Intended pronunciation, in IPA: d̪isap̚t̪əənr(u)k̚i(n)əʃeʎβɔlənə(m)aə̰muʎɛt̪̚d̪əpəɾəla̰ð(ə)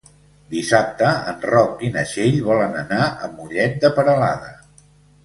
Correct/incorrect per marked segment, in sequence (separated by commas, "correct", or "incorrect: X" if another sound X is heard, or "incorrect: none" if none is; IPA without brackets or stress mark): incorrect: ɔ, correct, incorrect: n, correct